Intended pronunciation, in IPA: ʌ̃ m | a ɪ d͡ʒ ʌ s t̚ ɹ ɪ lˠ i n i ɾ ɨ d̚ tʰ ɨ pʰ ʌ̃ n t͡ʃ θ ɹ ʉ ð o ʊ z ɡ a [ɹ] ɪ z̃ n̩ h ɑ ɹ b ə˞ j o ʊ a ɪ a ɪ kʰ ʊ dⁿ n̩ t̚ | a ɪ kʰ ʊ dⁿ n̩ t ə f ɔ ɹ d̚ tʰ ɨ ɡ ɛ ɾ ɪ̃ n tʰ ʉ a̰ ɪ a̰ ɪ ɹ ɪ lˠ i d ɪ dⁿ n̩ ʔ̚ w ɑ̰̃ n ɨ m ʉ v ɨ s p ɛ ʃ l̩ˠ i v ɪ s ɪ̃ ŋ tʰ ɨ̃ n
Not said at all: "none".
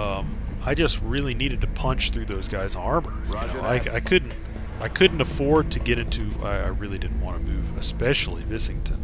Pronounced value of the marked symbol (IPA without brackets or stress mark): none